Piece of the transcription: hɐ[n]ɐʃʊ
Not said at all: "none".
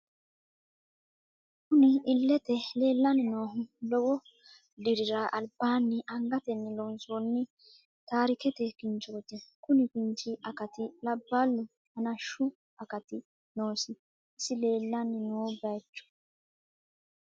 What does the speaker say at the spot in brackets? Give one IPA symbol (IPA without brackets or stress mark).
n